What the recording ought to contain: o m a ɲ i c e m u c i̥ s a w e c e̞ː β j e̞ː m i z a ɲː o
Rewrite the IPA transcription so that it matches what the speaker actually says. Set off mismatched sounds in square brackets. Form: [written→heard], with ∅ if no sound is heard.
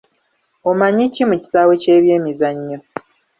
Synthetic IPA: o m a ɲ i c [e→i] m u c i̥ s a w e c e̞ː β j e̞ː m i z a ɲː o